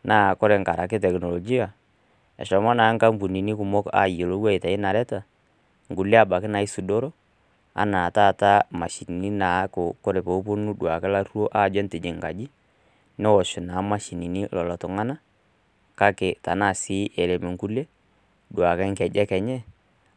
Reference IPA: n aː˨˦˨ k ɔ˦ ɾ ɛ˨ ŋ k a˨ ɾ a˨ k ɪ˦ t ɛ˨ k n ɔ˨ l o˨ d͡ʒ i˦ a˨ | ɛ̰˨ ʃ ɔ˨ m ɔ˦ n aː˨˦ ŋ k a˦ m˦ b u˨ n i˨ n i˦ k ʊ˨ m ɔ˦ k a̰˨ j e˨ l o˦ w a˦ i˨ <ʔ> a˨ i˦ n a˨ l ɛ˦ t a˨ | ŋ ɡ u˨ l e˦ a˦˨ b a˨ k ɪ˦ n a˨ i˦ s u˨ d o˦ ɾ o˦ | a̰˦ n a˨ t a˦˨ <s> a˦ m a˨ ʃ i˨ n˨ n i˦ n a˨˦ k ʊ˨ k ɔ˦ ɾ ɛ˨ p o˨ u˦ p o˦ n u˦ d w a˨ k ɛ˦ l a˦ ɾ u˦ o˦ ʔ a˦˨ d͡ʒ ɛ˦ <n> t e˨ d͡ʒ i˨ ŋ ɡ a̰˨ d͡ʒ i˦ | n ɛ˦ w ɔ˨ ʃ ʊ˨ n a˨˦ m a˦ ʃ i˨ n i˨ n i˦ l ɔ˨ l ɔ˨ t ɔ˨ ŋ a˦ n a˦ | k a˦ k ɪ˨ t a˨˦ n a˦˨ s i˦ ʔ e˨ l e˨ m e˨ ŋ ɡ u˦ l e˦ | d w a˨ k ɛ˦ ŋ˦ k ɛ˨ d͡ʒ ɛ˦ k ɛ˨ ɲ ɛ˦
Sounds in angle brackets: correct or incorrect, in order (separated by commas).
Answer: incorrect, incorrect, correct